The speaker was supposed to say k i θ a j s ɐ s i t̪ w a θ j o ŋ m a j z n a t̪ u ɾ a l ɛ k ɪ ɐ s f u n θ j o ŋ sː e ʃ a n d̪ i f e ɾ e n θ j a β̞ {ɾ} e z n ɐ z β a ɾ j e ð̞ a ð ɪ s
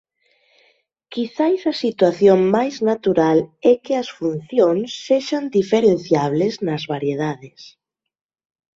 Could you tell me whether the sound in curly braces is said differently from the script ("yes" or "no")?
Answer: yes